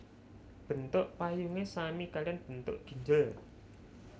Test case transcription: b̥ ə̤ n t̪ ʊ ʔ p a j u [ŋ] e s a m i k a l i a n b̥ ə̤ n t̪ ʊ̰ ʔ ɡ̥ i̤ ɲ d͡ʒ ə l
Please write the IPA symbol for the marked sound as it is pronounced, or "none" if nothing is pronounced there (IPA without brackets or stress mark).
ŋ